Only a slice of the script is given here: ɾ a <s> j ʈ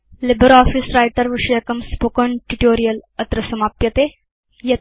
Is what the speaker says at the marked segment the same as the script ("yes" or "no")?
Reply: no